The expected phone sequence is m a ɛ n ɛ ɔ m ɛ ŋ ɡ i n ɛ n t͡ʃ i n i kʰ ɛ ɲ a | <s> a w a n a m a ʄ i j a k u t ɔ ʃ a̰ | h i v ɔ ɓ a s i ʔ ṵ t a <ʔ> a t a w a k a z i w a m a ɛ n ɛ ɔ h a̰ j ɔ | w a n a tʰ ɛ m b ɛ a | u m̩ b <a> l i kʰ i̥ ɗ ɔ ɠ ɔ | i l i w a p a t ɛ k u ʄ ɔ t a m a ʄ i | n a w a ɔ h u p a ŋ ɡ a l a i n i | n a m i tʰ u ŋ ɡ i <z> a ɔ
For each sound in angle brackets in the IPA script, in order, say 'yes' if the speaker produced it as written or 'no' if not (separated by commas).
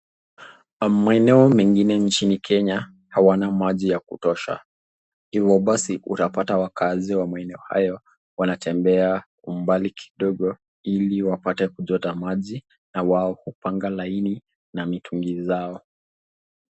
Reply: no, no, yes, yes